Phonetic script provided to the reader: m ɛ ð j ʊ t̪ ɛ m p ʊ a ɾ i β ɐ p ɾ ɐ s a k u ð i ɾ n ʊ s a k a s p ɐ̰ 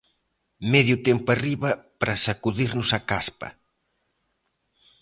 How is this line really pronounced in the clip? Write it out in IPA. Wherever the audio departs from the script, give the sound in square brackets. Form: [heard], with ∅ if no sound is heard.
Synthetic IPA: m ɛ ð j ʊ t̪ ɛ m p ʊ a [r] i β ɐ p ɾ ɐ s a k u ð i ɾ n ʊ s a k a s p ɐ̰